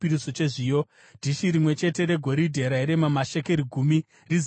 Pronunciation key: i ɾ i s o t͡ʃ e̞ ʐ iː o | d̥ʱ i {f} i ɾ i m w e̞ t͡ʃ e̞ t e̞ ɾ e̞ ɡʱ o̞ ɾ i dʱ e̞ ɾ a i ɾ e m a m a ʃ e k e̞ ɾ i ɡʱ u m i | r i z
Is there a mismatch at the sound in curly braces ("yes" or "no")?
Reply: yes